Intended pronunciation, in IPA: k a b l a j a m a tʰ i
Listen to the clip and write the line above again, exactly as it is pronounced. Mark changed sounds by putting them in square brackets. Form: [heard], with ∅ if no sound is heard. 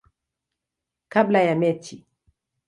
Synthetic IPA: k a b l a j a m [ɛ] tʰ i